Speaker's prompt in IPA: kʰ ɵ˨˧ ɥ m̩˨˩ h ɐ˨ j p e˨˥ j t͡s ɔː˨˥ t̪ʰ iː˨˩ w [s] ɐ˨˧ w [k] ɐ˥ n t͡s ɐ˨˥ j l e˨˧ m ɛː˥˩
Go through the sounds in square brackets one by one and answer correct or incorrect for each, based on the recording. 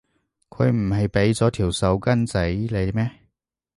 correct, correct

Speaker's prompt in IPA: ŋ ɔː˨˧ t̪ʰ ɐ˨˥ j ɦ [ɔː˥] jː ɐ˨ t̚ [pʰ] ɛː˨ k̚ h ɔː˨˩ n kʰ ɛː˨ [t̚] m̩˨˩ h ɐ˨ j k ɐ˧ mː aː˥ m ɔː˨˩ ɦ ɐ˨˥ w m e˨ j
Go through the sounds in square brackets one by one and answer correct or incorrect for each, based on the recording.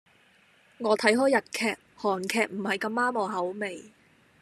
correct, incorrect: kʰ, incorrect: k̚

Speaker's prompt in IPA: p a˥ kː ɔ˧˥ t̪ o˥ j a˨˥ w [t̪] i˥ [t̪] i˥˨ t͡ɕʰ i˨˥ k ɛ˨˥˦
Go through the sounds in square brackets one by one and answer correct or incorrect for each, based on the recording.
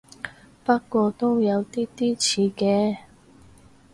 correct, correct

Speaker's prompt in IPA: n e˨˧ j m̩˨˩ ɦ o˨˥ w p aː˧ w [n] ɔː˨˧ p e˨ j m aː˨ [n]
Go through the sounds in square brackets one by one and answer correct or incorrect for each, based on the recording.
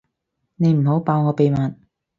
incorrect: ŋ, correct

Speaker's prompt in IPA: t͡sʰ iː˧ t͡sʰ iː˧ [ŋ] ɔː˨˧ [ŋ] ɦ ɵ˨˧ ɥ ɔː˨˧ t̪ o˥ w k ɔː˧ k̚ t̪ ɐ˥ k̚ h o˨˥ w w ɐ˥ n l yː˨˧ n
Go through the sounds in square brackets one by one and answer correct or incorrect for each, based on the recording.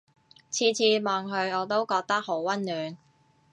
incorrect: m, correct

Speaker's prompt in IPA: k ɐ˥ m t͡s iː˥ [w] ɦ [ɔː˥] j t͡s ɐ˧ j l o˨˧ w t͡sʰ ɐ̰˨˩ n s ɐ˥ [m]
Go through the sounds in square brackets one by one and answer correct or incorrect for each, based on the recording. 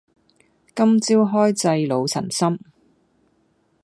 correct, correct, correct

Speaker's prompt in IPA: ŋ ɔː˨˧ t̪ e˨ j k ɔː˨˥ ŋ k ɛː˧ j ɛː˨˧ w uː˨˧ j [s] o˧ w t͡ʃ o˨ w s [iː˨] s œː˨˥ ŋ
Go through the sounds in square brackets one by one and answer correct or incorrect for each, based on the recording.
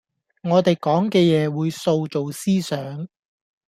correct, incorrect: iː˥

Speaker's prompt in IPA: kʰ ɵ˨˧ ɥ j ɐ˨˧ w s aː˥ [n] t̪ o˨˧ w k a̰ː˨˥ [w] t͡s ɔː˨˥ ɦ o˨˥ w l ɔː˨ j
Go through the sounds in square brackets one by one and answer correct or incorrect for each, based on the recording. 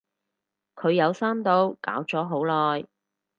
incorrect: m, correct

